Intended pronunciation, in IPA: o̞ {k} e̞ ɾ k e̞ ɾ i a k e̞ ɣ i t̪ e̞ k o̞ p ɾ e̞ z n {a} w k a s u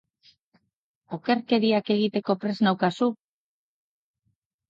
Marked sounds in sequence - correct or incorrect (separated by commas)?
correct, correct